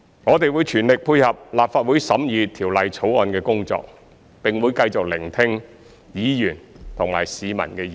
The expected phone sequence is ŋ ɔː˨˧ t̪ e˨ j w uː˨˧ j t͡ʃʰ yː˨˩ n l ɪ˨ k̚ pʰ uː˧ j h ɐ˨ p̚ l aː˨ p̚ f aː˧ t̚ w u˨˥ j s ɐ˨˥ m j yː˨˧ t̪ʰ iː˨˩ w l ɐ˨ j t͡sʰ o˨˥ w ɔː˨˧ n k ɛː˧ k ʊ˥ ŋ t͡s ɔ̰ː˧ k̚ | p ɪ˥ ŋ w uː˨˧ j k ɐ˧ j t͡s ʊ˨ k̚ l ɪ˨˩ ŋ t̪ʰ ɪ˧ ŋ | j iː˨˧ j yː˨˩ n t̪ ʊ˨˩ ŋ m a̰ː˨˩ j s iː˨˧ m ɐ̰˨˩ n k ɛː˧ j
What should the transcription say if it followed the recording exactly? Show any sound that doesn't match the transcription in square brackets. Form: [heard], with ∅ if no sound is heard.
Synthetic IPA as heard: ŋ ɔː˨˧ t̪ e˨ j w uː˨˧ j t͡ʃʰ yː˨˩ n l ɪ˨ k̚ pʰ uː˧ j h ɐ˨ p̚ l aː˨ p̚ f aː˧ t̚ w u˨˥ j s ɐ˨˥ m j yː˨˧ t̪ʰ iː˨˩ w l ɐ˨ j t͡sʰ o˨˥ w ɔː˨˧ n k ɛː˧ k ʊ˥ ŋ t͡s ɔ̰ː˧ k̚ | p [ɪ˨] ŋ w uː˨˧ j k ɐ˧ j t͡s ʊ˨ k̚ l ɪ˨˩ ŋ t̪ʰ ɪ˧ ŋ | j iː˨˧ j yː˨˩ n [t̪ʰ] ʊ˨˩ ŋ m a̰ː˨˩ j s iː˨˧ m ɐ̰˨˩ n k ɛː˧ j